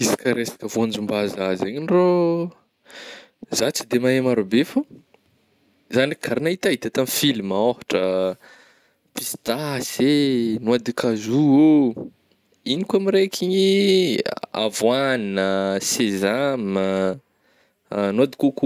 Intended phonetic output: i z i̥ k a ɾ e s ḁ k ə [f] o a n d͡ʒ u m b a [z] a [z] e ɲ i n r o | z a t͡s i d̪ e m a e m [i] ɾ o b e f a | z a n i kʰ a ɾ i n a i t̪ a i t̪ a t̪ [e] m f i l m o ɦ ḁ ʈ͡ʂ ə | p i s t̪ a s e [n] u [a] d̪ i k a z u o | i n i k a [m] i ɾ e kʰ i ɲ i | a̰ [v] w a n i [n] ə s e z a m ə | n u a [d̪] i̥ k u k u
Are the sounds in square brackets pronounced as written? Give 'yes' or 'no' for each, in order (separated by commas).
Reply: no, yes, yes, no, no, yes, yes, yes, yes, yes, yes